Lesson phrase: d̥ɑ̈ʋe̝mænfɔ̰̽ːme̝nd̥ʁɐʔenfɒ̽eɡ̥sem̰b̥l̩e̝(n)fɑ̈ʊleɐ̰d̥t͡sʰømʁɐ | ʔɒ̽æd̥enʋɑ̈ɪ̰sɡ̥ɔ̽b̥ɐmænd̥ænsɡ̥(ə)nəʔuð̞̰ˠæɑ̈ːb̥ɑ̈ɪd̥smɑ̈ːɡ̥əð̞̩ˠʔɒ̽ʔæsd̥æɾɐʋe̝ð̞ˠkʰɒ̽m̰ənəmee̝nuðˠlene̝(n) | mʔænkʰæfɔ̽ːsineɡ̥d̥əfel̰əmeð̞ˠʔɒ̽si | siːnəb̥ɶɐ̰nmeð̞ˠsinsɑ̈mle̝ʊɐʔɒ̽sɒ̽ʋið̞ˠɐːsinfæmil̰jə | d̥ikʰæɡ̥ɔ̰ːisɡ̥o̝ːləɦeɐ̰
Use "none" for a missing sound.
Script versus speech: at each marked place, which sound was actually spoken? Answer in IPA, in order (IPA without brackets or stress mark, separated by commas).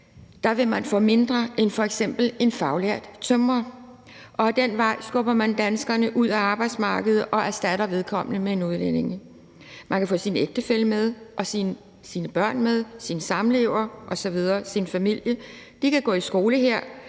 n, ɐ, ŋ